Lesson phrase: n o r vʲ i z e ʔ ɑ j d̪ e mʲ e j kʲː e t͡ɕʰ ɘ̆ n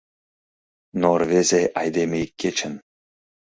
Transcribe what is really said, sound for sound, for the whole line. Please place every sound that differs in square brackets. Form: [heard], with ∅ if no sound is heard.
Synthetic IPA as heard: n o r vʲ [e] z e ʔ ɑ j d̪ e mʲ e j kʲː e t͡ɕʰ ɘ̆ n